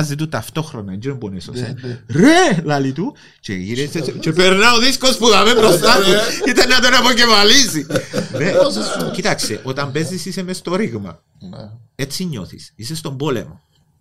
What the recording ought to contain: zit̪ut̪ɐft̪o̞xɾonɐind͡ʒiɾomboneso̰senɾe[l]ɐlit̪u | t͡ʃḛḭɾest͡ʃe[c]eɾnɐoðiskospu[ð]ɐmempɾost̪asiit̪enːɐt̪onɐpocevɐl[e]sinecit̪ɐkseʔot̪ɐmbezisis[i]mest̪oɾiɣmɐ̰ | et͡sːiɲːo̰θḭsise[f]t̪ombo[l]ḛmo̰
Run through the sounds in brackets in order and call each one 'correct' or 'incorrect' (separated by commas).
correct, incorrect, correct, incorrect, incorrect, incorrect, correct